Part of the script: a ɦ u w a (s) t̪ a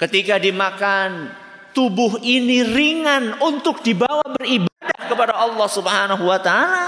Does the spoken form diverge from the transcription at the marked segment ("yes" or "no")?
yes